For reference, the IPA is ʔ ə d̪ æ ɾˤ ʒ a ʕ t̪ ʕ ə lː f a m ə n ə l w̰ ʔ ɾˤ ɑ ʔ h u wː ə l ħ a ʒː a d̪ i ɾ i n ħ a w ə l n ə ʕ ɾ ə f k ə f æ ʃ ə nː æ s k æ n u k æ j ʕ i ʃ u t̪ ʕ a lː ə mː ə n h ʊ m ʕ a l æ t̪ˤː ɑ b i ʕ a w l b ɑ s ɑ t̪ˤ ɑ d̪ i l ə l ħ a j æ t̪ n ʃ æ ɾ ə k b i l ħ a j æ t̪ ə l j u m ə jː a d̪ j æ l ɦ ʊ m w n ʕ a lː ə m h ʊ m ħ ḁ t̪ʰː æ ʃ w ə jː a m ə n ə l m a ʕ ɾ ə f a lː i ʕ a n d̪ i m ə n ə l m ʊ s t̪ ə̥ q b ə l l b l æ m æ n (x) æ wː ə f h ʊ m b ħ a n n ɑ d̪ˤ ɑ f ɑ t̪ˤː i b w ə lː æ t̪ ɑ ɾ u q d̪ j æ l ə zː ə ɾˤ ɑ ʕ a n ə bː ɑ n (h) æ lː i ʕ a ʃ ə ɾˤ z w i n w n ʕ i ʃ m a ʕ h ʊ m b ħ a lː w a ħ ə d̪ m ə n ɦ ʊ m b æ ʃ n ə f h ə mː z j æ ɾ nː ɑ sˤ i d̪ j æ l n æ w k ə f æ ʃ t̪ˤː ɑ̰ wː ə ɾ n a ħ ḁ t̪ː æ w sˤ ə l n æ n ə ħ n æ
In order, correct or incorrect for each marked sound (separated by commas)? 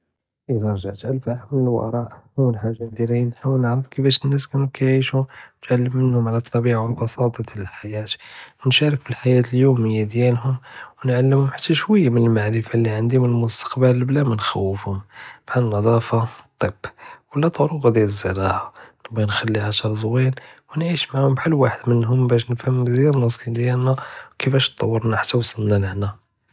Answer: correct, incorrect